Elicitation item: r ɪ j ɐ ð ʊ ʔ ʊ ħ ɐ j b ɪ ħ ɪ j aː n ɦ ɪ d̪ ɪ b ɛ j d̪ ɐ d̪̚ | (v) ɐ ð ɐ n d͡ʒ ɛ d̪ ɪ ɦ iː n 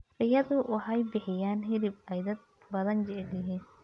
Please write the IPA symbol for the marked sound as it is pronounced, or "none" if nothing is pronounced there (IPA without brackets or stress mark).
b